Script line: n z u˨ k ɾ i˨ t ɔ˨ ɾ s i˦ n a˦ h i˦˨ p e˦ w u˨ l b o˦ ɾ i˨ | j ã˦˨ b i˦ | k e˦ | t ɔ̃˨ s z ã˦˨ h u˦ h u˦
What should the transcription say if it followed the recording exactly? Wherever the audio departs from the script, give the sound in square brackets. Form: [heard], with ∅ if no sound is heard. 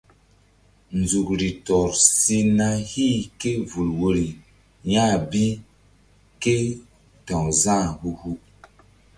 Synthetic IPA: n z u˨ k ɾ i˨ t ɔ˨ ɾ s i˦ n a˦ h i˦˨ [k] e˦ [v] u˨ l [w] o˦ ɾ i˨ | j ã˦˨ b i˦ | k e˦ | t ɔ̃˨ [∅] z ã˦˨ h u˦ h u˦